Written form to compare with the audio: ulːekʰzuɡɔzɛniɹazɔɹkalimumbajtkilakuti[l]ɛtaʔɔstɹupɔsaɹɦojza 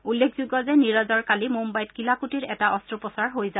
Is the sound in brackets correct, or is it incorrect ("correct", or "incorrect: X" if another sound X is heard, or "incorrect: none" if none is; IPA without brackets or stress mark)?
incorrect: ɹ